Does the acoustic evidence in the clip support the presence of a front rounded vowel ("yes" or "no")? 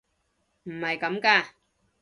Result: no